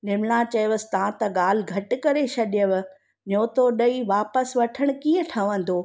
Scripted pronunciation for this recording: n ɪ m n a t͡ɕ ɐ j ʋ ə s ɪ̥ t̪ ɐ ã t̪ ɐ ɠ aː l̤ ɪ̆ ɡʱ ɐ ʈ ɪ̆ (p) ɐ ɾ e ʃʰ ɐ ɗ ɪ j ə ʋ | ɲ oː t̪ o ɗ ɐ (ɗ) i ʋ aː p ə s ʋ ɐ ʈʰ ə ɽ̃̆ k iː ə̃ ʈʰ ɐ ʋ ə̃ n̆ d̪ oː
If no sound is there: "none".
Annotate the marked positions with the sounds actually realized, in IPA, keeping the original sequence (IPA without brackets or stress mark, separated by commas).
k, none